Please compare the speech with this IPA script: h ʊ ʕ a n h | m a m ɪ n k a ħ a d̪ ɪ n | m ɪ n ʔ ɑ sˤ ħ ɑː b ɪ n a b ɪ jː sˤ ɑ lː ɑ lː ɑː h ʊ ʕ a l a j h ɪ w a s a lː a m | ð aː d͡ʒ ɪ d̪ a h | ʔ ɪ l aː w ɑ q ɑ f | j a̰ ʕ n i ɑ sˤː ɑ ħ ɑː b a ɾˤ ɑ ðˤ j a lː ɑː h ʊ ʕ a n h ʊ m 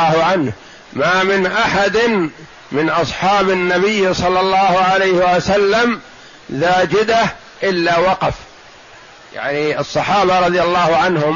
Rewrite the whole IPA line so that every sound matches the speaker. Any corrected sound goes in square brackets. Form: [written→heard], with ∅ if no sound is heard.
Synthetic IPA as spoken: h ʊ ʕ a n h | m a m ɪ n [k→ʔ] a ħ a d̪ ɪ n | m ɪ n ʔ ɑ sˤ ħ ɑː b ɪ [n→nː] a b ɪ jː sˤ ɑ lː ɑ lː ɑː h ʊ ʕ a l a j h ɪ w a s a lː a m | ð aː d͡ʒ ɪ d̪ a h | ʔ ɪ [l→lː] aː w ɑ q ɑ f | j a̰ ʕ n i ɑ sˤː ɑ ħ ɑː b a ɾˤ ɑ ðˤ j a lː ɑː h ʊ ʕ a n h ʊ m